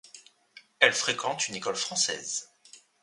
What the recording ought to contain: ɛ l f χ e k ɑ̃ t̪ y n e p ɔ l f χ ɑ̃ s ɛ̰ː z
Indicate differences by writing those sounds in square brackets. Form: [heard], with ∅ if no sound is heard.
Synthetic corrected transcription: ɛ l f χ e k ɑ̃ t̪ y n e [k] ɔ l f χ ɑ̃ s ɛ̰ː z